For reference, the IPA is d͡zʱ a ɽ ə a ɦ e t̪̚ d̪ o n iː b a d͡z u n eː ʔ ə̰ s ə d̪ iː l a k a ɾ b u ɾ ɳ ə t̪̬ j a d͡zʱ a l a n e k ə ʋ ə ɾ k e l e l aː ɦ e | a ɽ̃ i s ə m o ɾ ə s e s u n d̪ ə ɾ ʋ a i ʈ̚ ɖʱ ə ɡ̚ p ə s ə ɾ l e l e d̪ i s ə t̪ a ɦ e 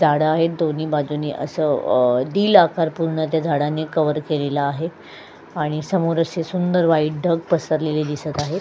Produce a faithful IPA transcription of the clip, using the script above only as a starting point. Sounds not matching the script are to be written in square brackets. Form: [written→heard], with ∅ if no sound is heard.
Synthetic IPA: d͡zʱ a ɽ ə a ɦ e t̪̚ d̪ o n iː b a d͡z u n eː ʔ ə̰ s ə d̪ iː l a k a ɾ [b→p] u ɾ ɳ ə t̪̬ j a d͡zʱ a [l→ɽ] a n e k ə ʋ ə ɾ k e l e l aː ɦ e | a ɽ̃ i s ə m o ɾ ə s e s u n d̪ ə ɾ ʋ a i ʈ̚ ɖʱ ə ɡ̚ p ə s ə ɾ l e l e d̪ i s ə t̪ a ɦ e

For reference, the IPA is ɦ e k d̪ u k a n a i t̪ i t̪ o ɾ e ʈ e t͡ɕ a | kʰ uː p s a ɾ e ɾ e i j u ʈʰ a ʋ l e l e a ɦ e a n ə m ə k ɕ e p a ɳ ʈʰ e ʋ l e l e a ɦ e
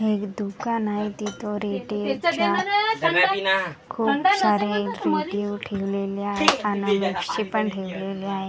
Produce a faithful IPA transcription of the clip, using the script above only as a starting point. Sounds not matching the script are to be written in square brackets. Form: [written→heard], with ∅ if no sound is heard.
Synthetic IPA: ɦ e k d̪ u k a n a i t̪ i t̪ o ɾ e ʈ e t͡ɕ a | kʰ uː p s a ɾ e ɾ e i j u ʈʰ [a→e] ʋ l e l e a ɦ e a n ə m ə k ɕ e p [a→ə] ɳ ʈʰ e ʋ l e l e a ɦ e

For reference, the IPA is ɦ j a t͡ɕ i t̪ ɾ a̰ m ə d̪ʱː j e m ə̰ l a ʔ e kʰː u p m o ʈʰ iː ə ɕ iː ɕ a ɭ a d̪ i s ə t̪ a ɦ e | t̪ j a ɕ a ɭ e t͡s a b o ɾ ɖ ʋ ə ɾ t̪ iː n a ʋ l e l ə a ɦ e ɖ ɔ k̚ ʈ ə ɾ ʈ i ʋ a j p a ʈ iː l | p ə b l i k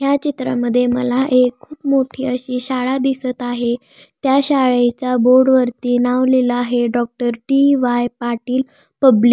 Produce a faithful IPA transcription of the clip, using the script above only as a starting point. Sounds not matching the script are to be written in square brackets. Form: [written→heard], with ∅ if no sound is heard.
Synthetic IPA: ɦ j a t͡ɕ i t̪ ɾ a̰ m ə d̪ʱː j e m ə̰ l a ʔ e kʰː [u→uː] p m o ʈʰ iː ə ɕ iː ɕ a ɭ a d̪ i s ə t̪ a ɦ e | t̪ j a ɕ a ɭ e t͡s a b o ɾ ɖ ʋ ə ɾ t̪ iː n a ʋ l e l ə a ɦ e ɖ ɔ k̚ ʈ ə ɾ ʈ i ʋ a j p a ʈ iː l | p ə b l i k

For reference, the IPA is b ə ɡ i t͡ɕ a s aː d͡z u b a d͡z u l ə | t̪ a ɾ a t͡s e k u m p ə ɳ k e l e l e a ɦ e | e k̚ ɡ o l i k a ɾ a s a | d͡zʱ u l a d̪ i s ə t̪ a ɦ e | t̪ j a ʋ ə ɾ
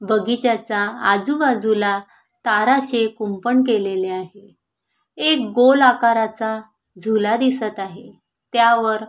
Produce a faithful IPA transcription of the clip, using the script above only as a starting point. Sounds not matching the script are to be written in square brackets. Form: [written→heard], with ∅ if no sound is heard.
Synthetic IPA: b ə ɡ i t͡ɕ a [s→t͡s] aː d͡z u b a d͡z u l [ə→a] | t̪ a ɾ a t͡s e k u m p ə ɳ k e l e l e a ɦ e | e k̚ ɡ o l [i→a] k a ɾ a [s→t͡s] a | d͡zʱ u l a d̪ i s ə t̪ a ɦ e | t̪ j a ʋ ə ɾ

